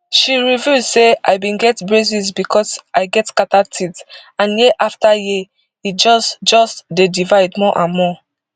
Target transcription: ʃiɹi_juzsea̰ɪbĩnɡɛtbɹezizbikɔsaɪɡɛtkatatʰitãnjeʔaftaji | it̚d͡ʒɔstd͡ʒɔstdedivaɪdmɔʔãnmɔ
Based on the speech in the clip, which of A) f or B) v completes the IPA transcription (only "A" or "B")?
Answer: B